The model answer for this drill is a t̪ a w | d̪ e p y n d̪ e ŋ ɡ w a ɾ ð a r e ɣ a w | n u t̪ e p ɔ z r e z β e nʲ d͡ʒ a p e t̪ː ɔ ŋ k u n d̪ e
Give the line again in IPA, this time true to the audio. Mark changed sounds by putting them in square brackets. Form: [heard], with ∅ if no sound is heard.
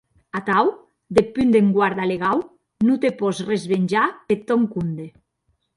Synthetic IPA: a t̪ a w | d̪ e p y n d̪ e ŋ ɡ w a ɾ ð a [l] e ɣ a w | n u t̪ e p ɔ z r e z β e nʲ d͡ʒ a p e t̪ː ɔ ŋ k u n d̪ e